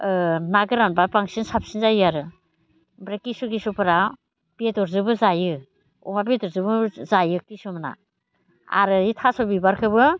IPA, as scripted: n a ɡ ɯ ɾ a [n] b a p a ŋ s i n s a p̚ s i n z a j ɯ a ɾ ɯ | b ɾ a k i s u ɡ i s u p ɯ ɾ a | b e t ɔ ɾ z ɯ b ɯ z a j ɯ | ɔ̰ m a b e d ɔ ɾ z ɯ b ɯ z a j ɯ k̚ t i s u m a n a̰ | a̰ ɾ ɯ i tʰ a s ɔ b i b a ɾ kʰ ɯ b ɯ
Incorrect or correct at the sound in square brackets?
correct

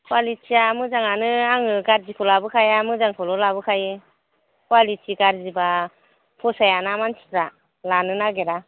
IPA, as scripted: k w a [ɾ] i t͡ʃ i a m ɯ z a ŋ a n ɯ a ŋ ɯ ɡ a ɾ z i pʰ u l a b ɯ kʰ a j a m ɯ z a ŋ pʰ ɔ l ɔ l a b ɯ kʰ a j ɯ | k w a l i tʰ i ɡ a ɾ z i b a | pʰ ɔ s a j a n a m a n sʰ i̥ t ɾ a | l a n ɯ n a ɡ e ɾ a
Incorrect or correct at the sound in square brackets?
incorrect: l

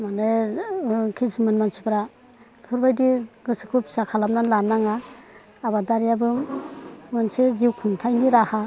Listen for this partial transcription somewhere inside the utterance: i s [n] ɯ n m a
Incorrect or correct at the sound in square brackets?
incorrect: m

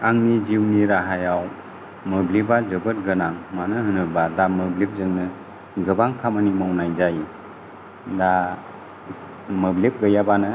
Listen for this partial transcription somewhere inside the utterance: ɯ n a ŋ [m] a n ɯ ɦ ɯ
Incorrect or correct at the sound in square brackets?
correct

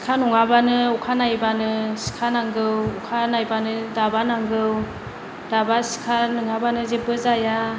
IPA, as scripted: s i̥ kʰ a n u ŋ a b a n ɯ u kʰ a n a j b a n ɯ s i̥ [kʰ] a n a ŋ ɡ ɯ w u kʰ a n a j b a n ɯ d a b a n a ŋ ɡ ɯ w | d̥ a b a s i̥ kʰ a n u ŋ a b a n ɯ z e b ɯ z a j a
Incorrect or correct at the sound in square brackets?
correct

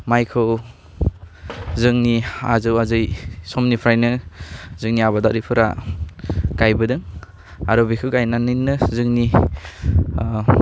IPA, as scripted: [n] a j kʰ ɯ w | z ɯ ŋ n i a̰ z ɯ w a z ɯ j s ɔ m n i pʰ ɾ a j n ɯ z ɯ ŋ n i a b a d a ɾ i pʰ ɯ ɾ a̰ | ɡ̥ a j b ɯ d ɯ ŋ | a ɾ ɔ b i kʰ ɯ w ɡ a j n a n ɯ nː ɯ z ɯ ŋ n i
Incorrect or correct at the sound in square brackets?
incorrect: m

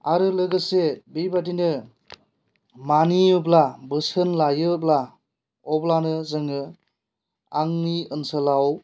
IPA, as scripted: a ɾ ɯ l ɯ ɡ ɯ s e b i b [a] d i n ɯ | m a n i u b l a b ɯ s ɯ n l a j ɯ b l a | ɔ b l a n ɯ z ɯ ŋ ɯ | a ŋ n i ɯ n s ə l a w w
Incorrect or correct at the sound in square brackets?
correct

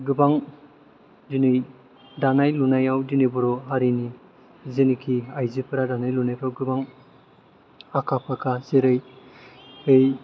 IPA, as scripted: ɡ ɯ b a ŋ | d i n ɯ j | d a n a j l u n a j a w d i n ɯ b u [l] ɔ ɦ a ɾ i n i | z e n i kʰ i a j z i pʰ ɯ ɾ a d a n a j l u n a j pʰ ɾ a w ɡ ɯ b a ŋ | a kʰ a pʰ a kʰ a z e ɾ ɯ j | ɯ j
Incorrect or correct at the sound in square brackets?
incorrect: ɾ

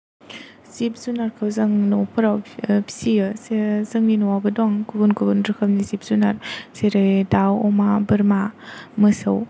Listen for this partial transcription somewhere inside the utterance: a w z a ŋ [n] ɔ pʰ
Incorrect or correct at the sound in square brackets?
correct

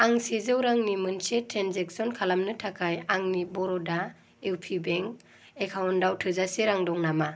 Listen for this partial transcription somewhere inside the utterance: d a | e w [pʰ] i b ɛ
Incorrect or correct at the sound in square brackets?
correct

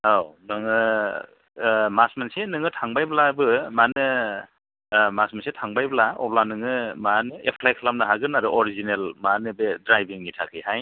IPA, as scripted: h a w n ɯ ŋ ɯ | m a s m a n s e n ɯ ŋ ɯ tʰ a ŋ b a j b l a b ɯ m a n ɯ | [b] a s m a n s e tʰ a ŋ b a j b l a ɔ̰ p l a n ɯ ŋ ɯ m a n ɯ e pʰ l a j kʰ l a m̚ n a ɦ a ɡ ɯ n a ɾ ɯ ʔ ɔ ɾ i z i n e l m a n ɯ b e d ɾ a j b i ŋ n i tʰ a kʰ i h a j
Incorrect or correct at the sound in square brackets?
incorrect: m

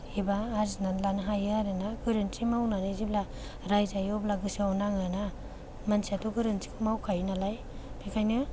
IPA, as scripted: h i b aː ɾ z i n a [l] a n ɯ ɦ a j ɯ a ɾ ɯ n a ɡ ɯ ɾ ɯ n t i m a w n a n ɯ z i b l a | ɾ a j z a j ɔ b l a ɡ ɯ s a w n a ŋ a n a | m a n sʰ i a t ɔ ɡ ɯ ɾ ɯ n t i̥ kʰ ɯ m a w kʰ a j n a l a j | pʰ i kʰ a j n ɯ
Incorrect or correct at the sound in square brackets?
correct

